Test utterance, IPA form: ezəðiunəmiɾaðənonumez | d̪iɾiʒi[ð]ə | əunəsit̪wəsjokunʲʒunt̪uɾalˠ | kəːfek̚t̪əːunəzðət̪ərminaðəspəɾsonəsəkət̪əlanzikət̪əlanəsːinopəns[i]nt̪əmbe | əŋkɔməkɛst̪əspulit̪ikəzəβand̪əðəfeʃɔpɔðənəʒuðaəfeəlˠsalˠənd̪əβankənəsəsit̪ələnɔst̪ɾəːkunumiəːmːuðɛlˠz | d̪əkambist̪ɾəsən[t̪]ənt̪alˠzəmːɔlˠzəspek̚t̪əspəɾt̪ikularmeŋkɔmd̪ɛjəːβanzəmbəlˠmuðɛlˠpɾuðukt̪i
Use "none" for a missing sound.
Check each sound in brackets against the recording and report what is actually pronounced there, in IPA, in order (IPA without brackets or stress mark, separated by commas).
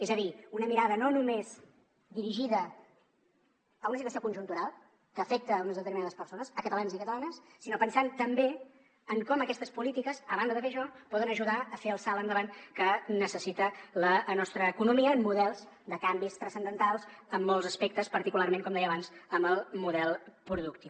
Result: ð, a, d̪